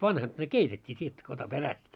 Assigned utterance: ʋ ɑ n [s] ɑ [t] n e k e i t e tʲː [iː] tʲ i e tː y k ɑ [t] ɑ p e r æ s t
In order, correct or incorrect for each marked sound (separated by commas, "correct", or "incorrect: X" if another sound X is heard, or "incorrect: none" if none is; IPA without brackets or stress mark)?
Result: incorrect: h, correct, correct, correct